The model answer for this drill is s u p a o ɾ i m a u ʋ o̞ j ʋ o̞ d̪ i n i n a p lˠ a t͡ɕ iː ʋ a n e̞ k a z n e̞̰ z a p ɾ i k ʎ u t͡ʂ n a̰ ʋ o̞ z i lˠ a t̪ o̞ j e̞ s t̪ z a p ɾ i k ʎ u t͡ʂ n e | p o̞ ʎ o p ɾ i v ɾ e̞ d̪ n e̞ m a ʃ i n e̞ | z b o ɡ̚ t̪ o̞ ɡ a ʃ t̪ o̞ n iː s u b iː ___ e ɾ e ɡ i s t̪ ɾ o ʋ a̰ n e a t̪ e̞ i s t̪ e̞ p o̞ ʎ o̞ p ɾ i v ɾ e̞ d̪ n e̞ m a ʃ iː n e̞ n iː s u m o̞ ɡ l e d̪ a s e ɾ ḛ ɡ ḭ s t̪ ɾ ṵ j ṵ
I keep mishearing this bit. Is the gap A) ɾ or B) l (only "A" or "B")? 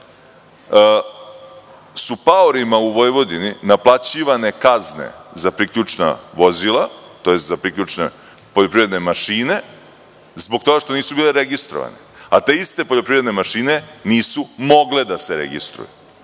B